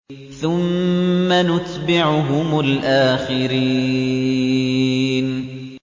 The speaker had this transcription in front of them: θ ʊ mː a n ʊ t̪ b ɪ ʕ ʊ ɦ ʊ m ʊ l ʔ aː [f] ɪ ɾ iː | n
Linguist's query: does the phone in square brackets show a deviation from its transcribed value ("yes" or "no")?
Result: yes